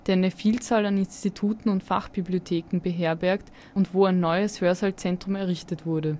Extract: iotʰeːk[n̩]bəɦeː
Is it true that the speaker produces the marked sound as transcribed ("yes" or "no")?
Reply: no